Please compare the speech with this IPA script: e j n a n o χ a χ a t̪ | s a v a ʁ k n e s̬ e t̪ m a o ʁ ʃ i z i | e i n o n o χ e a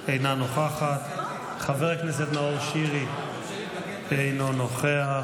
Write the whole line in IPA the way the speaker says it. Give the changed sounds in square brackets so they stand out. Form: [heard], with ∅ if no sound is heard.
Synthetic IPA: e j n a n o χ a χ a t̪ | [χ] a v [e] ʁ k n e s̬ e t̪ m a o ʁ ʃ i [ʁ] i | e [j] n o n o χ e a